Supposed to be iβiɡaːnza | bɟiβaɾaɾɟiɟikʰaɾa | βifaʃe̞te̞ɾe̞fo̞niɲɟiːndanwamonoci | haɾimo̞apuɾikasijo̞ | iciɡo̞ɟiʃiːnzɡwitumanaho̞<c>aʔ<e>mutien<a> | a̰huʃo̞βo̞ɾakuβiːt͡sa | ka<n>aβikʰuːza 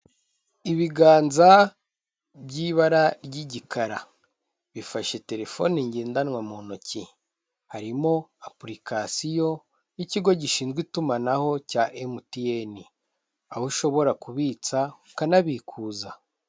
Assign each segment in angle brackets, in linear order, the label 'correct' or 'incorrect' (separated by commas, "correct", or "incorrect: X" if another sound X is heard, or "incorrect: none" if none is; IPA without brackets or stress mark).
correct, correct, incorrect: i, correct